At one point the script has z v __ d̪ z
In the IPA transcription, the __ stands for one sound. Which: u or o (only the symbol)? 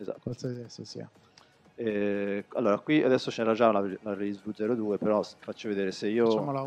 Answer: u